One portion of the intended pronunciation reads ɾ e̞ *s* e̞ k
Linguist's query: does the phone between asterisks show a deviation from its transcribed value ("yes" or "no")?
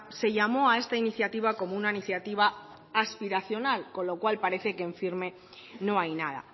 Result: yes